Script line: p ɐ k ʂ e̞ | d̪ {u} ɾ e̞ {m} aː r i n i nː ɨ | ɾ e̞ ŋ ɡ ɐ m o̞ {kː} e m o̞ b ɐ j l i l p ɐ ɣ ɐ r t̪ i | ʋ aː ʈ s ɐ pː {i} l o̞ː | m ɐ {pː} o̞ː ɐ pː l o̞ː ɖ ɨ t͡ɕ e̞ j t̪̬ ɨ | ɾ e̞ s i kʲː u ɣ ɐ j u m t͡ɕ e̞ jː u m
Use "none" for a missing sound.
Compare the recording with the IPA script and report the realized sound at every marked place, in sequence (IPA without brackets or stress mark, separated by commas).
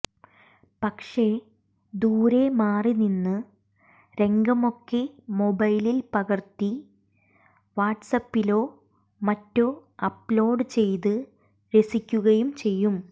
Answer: uː, m, kː, i, tː